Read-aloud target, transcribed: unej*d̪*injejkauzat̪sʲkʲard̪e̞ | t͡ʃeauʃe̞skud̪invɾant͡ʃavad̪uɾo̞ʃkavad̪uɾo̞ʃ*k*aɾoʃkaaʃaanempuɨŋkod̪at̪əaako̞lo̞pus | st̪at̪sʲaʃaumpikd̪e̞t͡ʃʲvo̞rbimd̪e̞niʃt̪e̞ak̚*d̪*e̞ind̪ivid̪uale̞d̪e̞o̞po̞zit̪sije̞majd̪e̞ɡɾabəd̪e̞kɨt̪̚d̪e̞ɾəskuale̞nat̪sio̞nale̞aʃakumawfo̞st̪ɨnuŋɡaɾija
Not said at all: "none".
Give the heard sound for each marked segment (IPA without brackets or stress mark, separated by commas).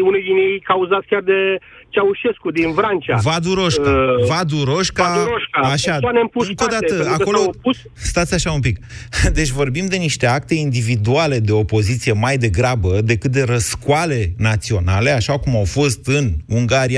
d̪, k, t̪